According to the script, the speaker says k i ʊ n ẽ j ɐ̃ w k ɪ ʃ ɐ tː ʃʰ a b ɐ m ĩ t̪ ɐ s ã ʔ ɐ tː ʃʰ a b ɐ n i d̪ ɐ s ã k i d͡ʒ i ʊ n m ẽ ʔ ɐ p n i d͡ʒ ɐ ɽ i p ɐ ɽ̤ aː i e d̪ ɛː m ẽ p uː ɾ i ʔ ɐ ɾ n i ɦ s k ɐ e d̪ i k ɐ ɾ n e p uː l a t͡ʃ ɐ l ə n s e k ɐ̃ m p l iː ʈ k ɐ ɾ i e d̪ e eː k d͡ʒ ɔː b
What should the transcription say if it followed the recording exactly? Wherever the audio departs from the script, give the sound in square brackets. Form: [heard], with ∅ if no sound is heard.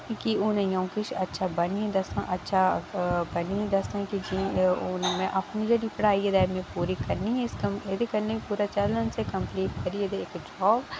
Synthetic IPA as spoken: k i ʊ n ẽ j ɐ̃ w k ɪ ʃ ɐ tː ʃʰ a b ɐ [n] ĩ [d̪] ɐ s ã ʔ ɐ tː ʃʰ a b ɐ n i d̪ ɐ s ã k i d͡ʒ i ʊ n m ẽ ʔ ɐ p n i d͡ʒ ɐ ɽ i p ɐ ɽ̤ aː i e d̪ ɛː m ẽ p uː ɾ i [k] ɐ ɾ n i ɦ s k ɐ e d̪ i k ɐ ɾ n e p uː [ɾ] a t͡ʃ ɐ l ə n s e k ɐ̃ m p l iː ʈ k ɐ ɾ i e d̪ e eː k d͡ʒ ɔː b